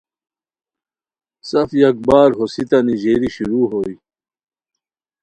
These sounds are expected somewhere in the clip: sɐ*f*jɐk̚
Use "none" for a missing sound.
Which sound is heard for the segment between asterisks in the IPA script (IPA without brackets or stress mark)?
f